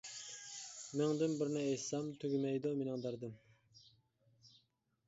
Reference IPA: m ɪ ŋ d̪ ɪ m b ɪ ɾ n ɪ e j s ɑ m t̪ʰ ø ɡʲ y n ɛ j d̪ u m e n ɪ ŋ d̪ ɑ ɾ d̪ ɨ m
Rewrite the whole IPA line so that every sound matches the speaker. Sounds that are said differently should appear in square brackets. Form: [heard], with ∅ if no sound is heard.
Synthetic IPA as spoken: m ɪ ŋ d̪ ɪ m b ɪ ɾ n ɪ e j s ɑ m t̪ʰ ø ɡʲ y [m] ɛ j d̪ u m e n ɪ ŋ d̪ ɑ ɾ d̪ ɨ m